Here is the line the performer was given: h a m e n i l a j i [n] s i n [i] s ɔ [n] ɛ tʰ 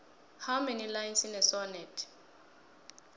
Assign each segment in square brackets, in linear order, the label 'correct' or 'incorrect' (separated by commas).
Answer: correct, incorrect, correct